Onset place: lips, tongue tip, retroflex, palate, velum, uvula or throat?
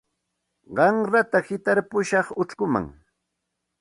uvula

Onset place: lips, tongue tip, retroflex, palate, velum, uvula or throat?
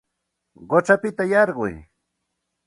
uvula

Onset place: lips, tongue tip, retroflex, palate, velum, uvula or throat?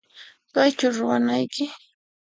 velum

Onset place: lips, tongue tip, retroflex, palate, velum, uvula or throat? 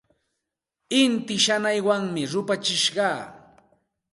tongue tip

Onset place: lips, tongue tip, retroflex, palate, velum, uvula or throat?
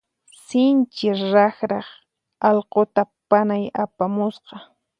tongue tip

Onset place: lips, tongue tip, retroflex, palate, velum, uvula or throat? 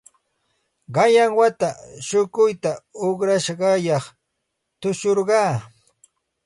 uvula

